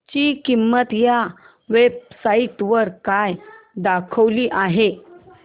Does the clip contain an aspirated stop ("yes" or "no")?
yes